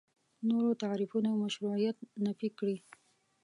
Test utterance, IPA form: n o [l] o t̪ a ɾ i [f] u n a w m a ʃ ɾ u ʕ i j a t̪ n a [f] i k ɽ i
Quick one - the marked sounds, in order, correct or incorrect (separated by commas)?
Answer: incorrect, correct, correct